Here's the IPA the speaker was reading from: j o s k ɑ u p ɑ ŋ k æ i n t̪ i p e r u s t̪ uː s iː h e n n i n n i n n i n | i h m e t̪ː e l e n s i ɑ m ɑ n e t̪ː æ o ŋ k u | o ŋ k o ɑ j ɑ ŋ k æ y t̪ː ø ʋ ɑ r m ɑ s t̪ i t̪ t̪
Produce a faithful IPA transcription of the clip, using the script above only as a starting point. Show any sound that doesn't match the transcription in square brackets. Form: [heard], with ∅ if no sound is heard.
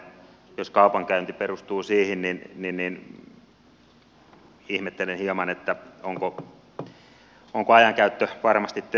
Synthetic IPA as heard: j o s k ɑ u p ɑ ŋ k æ [y] n t̪ i p e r u s t̪ uː s iː h [i] n n i n n i n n i n | i h m e t̪ː e l e n [h] i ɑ m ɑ n e t̪ː æ o ŋ k [o] | o ŋ k o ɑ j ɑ ŋ k æ y t̪ː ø ʋ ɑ r m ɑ s t̪ i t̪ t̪